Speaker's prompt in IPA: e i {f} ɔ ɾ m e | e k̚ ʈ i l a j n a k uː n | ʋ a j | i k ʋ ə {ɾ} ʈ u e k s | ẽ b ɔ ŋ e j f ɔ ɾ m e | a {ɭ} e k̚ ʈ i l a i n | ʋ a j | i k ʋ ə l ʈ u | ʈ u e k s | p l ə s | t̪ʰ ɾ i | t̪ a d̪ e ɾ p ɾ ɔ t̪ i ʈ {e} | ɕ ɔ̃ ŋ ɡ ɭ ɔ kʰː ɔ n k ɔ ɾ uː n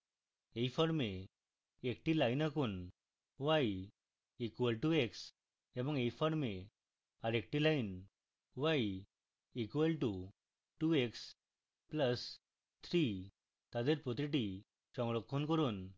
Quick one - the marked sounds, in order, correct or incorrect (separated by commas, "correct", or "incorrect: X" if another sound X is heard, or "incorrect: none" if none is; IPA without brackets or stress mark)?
correct, incorrect: l, incorrect: ɾ, incorrect: i